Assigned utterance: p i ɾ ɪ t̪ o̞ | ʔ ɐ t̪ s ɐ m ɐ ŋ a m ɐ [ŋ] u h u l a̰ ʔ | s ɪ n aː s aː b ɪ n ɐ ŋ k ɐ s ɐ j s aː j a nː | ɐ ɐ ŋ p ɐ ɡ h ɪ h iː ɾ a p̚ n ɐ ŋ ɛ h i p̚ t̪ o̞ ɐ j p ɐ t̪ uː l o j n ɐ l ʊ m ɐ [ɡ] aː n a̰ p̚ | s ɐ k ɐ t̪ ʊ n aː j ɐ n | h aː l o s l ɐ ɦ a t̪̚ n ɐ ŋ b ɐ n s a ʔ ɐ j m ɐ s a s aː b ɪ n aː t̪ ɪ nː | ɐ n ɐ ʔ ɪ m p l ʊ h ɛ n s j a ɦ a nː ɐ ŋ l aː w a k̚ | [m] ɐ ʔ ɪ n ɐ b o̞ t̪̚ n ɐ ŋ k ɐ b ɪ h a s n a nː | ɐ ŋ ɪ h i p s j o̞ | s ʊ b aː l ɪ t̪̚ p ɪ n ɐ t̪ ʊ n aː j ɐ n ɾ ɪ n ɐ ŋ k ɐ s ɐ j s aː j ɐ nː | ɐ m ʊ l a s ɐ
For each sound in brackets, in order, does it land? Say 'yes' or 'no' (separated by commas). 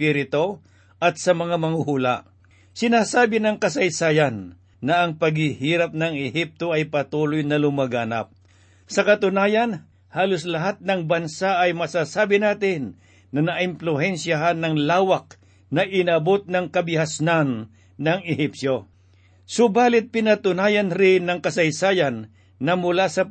yes, yes, no